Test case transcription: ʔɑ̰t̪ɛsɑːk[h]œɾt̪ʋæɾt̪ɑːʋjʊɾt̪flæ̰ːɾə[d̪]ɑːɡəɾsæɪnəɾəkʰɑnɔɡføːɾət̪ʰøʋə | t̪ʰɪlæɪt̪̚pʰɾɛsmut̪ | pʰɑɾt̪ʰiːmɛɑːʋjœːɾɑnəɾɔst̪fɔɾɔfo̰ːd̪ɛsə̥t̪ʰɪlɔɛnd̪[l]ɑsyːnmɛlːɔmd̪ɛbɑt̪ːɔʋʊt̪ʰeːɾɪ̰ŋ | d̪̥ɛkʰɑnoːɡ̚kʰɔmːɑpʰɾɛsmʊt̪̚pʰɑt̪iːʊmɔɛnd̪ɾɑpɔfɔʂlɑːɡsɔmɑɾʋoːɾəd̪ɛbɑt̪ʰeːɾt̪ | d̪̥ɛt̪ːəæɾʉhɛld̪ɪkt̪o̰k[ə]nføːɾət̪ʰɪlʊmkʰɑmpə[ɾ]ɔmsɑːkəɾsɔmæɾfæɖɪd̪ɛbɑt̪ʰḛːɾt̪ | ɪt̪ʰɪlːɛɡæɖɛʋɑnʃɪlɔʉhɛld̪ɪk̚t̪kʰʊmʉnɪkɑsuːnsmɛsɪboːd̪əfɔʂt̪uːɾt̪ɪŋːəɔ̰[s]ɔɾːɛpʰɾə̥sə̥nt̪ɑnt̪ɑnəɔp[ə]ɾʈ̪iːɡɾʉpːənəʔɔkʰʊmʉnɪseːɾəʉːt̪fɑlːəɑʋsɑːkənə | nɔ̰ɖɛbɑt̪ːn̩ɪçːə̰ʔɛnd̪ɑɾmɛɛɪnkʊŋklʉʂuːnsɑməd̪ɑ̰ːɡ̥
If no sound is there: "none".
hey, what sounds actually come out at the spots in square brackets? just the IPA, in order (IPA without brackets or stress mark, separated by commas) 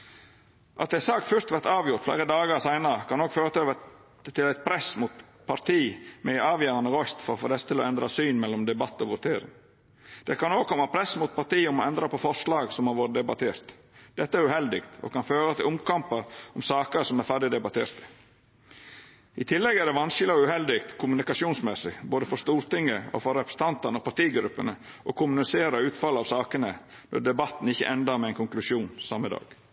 f, d̪, ɾ, ɑ, ɾ, f, ɑ